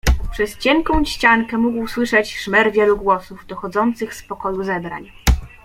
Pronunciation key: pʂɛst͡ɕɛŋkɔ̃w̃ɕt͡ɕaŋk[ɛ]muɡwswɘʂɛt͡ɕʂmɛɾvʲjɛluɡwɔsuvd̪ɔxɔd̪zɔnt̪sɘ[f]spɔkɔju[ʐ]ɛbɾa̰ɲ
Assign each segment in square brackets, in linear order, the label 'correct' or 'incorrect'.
correct, incorrect: x, incorrect: z

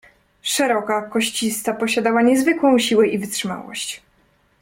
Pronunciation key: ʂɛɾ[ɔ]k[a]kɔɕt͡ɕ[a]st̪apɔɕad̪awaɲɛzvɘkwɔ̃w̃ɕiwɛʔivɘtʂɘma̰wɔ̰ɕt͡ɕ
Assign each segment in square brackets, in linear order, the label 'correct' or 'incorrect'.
correct, correct, incorrect: i

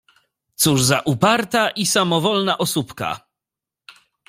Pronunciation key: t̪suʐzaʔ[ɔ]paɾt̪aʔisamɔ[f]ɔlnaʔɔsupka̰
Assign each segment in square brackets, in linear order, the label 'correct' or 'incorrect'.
incorrect: u, incorrect: v

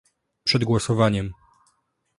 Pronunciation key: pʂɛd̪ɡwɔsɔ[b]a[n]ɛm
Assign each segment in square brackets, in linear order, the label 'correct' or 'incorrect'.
incorrect: v, incorrect: ɲ

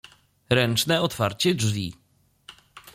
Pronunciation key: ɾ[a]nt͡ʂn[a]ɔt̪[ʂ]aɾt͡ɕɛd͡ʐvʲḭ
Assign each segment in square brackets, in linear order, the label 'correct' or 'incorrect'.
incorrect: ɛ, incorrect: ɛ, incorrect: f

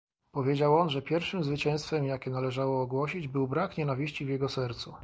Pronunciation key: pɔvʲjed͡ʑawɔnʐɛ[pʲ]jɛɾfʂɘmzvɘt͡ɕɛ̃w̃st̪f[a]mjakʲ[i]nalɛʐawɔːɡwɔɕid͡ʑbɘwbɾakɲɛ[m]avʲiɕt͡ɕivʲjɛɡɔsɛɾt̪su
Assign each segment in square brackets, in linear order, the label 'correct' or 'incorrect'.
correct, incorrect: ɛ, incorrect: ɛ, incorrect: n

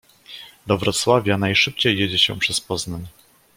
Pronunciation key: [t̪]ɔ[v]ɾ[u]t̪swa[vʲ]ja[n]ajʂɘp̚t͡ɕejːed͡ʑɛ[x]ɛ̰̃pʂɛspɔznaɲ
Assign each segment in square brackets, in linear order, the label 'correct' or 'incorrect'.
incorrect: d̪, correct, incorrect: ɔ, correct, correct, incorrect: ɕ

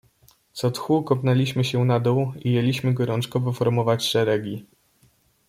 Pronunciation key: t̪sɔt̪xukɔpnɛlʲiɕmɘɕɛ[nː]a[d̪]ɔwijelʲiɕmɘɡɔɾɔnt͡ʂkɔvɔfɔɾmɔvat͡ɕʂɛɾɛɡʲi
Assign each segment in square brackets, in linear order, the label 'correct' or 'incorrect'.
incorrect: n, correct

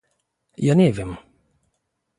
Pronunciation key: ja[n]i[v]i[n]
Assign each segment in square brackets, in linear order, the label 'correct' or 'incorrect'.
correct, correct, incorrect: m

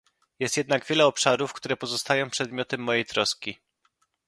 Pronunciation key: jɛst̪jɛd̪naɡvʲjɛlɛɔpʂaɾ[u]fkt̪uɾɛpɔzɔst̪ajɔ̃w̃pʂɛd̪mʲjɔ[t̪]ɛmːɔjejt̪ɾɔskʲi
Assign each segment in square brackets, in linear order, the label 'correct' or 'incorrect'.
correct, correct

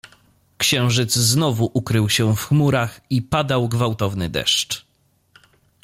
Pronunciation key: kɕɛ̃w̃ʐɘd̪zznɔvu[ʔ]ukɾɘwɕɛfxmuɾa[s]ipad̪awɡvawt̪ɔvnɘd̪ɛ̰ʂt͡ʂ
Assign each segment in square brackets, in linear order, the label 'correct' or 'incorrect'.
correct, incorrect: x

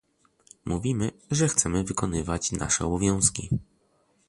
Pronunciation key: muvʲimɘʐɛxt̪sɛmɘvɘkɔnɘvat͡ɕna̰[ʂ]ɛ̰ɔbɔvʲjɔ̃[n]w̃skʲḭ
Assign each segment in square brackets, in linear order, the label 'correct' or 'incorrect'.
correct, incorrect: none

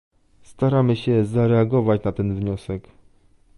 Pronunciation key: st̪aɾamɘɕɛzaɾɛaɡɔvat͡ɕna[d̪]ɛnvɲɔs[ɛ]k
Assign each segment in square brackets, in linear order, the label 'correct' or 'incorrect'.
incorrect: t̪, correct

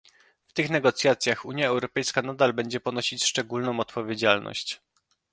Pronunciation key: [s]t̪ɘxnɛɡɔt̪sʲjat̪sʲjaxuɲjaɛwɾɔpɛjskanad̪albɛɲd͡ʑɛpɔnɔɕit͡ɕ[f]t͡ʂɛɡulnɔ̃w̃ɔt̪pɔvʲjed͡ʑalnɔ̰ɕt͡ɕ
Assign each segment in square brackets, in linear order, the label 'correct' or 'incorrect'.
incorrect: f, incorrect: ʂ

